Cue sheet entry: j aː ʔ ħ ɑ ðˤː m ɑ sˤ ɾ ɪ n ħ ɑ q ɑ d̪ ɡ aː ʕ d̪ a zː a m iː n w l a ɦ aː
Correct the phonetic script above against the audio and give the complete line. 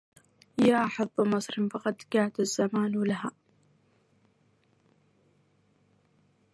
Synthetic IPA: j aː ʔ ħ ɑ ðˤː m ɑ sˤ ɾ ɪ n f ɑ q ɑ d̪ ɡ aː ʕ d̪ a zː a m aː n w l a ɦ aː